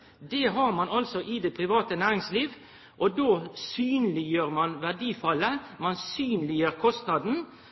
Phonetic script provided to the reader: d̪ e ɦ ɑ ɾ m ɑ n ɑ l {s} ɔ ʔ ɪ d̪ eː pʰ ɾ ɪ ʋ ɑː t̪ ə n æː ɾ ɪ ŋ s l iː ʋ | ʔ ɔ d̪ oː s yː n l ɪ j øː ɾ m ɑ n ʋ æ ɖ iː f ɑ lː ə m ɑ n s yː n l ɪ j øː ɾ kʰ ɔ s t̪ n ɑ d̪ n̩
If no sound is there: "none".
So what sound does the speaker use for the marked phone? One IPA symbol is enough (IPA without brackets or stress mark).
s